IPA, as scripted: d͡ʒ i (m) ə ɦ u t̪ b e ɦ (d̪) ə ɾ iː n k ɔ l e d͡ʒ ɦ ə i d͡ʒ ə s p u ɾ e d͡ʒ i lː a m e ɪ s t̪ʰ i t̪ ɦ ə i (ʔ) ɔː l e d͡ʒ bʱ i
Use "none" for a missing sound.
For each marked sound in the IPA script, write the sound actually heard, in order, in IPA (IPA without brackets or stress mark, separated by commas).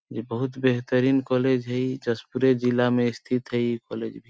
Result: b, t̪, k